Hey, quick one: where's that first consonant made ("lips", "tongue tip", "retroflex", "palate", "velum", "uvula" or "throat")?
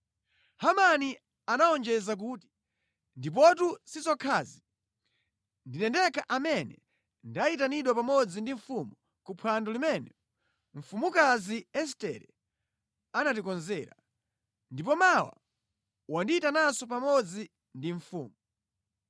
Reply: throat